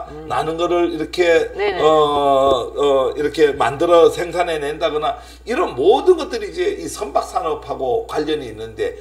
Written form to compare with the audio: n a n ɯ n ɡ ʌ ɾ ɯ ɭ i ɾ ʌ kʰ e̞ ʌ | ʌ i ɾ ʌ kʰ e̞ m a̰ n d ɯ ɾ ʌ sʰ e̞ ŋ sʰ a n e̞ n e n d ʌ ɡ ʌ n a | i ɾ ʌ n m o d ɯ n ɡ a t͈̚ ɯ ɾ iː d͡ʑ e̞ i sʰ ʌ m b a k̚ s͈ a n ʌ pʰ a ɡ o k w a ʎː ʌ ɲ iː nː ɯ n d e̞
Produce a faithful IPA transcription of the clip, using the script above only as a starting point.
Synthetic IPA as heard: n a n ɯ n ɡ ʌ ɾ ɯ ɭ i ɾ ʌ kʰ e̞ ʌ | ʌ i ɾ ʌ kʰ e̞ m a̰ n d ɯ ɾ ʌ sʰ e̞ ŋ sʰ a n e̞ n e n d a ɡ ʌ n a | i ɾ ʌ n m o d ɯ n ɡ ʌ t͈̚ ɯ ɾ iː d͡ʑ e̞ i sʰ ʌ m b a k̚ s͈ a n ʌ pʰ a ɡ o k w a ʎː ʌ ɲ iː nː ɯ n d e̞

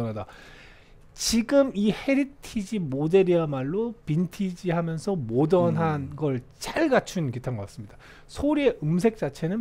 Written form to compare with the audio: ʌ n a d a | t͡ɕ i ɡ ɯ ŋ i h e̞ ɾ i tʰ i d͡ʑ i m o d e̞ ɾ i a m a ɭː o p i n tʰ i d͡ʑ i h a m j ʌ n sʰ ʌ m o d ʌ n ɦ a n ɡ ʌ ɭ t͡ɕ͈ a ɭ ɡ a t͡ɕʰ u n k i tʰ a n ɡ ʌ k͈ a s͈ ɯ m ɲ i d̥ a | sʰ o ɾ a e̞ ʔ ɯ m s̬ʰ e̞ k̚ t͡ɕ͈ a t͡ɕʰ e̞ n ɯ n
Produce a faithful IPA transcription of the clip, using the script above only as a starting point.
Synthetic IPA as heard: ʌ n a d a | t͡ɕ i ɡ ɯ m i h e̞ ɾ i tʰ i d͡ʑ i m o d e̞ ɾ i a m a ɭː o p i n tʰ i d͡ʑ i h a m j ʌ n sʰ ʌ m o d ʌ n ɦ a n ɡ ʌ ɭ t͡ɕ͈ a ɭ ɡ a t͡ɕʰ u n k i tʰ a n ɡ ʌ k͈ a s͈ ɯ m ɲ i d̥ a | sʰ o ɾ i e̞ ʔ ɯ m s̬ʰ e̞ k̚ t͡ɕ͈ a t͡ɕʰ e̞ n ɯ n

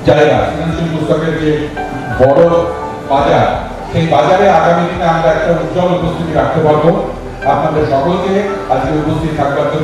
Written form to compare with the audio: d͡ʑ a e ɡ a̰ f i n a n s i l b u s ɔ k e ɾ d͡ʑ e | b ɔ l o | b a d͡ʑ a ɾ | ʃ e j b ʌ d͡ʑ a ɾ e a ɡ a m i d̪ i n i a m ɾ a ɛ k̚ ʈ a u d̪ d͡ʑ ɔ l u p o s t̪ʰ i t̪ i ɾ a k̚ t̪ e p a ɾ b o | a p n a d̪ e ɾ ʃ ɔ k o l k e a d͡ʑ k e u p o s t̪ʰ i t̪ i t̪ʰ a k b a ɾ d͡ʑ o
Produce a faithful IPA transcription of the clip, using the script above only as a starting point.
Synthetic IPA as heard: d͡ʑ a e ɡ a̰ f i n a n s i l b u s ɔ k e ɾ d͡ʑ e | b ɔ ɽ o | b a d͡ʑ a ɾ | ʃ e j b a d͡ʑ a ɾ e a ɡ a m i d̪ i n e a m ɾ a ɛ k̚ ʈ a u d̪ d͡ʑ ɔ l u p o s t̪ʰ i t̪ i ɾ a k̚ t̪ e p a ɾ b o | a p n a d̪ e ɾ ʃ ɔ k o l k e a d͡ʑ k e u p o s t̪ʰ i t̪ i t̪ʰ a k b a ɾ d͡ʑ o

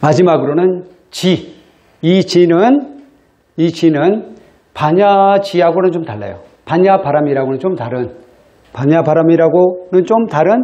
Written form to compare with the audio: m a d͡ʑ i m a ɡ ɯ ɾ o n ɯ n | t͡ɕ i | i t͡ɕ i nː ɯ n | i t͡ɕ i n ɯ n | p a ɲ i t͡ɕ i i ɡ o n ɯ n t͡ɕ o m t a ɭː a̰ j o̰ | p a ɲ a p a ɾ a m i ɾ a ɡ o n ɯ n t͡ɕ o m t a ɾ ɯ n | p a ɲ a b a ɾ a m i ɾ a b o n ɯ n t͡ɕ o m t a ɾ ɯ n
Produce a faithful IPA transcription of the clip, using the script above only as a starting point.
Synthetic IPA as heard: m a d͡ʑ i m a ɡ ɯ ɾ o n ɯ n | t͡ɕ i | i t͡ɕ i n ɯ n | i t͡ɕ i n ɯ n | p a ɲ a t͡ɕ i a ɡ o n ɯ n t͡ɕ o m t a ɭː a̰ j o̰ | p a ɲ a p a ɾ a m i ɾ a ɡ o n ɯ n t͡ɕ o m t a ɾ ɯ n | p a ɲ a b a ɾ a m i ɾ a ɡ o n ɯ n t͡ɕ o m t a ɾ ɯ n

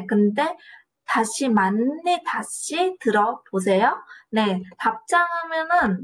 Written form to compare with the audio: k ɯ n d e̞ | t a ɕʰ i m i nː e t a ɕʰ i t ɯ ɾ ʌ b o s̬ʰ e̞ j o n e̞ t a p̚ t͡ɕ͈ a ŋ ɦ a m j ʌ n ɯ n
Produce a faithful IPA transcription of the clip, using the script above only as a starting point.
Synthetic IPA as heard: k ɯ n d e̞ | t a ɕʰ i m a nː i t a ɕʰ i t ɯ ɾ ʌ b o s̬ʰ e̞ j o n e̞ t a p̚ t͡ɕ͈ a ŋ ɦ a m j ʌ n ɯ n

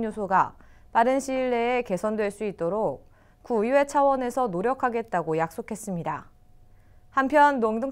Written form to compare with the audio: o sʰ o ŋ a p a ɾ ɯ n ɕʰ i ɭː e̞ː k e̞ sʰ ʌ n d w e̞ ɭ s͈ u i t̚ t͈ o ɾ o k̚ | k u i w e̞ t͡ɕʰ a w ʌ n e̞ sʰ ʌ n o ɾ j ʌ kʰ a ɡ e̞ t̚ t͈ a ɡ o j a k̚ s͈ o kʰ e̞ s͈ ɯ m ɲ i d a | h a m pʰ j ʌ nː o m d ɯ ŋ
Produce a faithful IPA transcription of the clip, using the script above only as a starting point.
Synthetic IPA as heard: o sʰ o ɡ a p a ɾ ɯ n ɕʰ i ɭː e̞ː k e̞ sʰ ʌ n d w e̞ ɭ s͈ u i t̚ t͈ o ɾ o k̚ | k u i w e̞ t͡ɕʰ a w ʌ n e̞ sʰ ʌ n o ɾ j ʌ kʰ a ɡ e̞ t̚ t͈ a ɡ o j a k̚ s͈ o kʰ e̞ s͈ ɯ m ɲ i d a | h a m pʰ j ʌ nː o ŋ d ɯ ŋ

